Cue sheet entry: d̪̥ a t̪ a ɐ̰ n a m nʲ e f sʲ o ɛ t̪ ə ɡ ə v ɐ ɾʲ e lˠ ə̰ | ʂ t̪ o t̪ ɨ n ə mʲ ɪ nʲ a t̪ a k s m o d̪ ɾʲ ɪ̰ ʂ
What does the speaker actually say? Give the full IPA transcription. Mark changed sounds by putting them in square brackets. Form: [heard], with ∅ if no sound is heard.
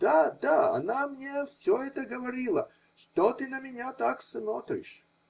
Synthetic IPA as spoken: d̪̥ a [d̪] a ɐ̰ n a m nʲ e f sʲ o ɛ t̪ ə ɡ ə v ɐ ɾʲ [i] lˠ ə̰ | ʂ t̪ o t̪ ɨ n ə mʲ ɪ nʲ a t̪ a k s m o [t̪] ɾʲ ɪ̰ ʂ